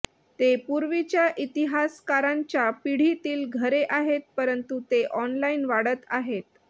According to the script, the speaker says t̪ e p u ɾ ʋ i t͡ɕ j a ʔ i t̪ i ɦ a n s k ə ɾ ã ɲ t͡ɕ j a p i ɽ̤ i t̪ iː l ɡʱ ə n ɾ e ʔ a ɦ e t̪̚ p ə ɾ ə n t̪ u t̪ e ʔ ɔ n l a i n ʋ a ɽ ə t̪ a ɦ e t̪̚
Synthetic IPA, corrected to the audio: t̪ e p u ɾ ʋ i t͡ɕ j a ʔ i t̪ i ɦ a s k a ɾ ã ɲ t͡ɕ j a p i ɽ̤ i t̪ iː l ɡʱ ə ɾ e ʔ a ɦ e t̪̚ p ə ɾ ə n t̪ u t̪ e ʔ ɔ n l a i n ʋ a ɽ ə t̪ a ɦ e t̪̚